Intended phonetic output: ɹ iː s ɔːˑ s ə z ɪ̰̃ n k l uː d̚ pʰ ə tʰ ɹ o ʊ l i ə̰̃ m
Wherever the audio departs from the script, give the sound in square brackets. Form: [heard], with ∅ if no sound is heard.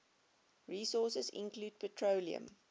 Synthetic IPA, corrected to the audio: ɹ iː s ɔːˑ s ə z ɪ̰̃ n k l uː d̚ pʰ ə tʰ ɹ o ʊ l i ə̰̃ m

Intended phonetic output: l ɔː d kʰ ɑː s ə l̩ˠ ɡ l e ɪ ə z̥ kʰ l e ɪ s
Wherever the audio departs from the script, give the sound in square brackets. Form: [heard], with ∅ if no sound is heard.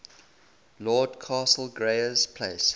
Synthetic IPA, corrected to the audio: l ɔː d kʰ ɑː s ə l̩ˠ ɡ [ɹ] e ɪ ə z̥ [pʰ] l e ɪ s

